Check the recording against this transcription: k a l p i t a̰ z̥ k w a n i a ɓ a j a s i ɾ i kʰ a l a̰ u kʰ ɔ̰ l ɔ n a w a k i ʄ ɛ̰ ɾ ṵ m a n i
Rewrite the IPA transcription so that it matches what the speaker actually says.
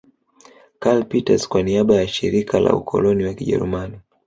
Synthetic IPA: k a l p i t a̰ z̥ k w a n i a ɓ a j a ʃ i ɾ i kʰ a l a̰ u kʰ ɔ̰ l ɔ n i w a k i ʄ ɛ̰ ɾ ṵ m a n i